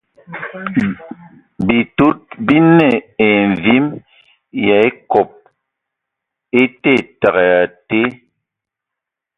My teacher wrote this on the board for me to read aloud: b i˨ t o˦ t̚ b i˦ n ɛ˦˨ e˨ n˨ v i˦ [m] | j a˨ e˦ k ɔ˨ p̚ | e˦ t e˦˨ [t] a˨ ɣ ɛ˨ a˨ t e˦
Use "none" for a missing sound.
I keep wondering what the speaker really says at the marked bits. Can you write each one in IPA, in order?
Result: m, t

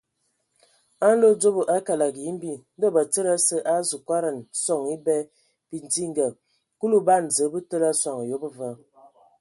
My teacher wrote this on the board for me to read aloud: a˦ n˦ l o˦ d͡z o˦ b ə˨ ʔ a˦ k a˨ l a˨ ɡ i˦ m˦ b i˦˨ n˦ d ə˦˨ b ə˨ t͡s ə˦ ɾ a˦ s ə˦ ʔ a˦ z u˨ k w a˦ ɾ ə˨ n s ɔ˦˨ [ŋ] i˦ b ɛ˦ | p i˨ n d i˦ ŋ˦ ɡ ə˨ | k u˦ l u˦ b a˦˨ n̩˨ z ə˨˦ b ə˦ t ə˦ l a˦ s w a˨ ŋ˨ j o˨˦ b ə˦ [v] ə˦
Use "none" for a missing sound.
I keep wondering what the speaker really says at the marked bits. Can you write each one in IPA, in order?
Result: ŋ, v

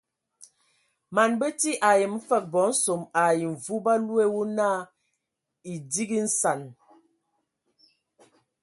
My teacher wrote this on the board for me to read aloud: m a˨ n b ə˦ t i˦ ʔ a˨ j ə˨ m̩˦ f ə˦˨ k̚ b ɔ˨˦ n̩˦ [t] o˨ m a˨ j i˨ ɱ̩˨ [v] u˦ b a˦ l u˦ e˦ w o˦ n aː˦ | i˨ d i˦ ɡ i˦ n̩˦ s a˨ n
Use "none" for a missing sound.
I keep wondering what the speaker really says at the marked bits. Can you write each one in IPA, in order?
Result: s, v

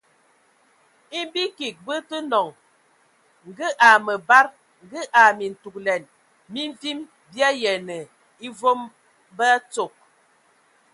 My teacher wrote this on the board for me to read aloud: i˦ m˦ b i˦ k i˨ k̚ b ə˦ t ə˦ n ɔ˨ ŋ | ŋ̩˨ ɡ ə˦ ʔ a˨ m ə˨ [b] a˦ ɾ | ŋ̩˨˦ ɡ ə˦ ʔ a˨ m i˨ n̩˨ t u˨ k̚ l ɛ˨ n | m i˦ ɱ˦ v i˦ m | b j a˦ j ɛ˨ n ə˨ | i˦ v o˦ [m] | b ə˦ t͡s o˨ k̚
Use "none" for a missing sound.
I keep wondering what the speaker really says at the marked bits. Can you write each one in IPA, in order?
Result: b, m

